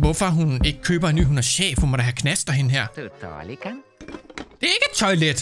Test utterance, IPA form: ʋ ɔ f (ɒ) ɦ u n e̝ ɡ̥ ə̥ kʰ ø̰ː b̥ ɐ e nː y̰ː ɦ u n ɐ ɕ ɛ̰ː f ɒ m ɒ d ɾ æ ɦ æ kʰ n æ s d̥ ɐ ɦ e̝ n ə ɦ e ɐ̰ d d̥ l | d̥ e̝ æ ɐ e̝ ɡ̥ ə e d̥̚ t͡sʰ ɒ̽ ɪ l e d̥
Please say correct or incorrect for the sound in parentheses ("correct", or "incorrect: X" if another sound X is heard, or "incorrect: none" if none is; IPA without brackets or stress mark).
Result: correct